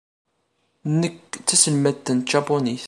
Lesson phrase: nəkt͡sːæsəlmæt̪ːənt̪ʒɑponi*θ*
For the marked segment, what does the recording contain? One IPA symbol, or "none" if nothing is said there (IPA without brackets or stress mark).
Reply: θ